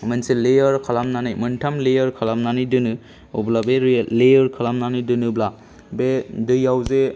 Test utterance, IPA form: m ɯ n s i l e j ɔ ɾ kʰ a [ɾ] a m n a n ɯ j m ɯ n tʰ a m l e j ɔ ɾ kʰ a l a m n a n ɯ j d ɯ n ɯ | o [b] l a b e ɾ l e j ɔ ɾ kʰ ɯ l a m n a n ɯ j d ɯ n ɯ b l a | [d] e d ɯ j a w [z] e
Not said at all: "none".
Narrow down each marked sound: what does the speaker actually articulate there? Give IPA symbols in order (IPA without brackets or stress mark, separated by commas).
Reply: l, b, b, z